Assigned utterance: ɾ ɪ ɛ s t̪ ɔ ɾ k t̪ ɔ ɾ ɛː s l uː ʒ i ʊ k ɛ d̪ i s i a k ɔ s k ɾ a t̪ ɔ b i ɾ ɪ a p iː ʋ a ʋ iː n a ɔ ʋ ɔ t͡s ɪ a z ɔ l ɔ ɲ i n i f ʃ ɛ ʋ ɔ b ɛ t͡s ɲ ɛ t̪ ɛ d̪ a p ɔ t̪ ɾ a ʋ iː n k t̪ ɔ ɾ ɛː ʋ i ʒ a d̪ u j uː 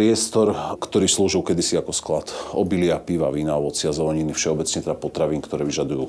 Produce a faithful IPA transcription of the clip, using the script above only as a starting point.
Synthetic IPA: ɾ ɪ ɛ s t̪ ɔ ɾ k t̪ ɔ ɾ iː s l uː ʒ i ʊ k ɛ d̪ i s i a k ɔ s k l a t̪ ɔ b i l ɪ a p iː ʋ a ʋ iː n a ɔ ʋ ɔ t͡s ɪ a z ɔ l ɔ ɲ i n i f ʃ ɛ ɔ b ɛ t͡s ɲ ɛ t̪ ɛ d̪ a p ɔ t̪ ɾ a ʋ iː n k t̪ ɔ ɾ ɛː ʋ i ʒ a d̪ u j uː